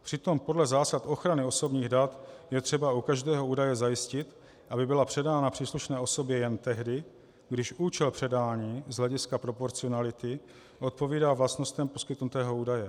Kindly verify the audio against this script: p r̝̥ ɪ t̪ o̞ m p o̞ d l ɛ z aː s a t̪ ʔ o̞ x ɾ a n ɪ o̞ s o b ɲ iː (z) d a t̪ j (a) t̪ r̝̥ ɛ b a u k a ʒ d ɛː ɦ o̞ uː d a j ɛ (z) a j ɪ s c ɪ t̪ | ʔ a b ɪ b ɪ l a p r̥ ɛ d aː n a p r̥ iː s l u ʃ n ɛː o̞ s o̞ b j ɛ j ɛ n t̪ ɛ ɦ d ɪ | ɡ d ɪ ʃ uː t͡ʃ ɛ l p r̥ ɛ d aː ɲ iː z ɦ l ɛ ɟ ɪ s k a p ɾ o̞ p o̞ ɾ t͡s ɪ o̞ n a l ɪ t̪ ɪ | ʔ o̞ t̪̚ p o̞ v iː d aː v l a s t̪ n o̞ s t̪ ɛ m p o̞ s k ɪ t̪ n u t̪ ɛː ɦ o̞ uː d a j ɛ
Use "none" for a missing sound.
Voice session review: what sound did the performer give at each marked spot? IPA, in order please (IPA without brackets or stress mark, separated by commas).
ɣ, ɛ, z